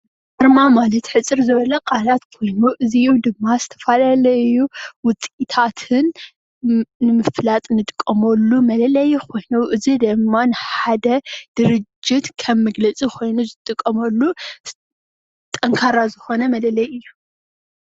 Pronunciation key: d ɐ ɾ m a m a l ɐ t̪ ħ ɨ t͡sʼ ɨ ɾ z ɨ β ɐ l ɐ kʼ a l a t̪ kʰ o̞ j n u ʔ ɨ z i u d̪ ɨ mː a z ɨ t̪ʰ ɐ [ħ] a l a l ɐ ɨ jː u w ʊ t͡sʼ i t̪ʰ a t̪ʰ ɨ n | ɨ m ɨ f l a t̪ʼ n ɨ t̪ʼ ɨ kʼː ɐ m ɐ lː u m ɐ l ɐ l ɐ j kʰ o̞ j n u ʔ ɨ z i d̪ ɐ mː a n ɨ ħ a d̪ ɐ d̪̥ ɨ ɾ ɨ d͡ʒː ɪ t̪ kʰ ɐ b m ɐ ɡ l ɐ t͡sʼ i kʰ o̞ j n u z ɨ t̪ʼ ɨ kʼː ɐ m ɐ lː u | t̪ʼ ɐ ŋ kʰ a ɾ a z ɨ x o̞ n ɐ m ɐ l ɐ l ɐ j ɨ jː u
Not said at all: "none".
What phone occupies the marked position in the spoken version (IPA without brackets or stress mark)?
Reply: f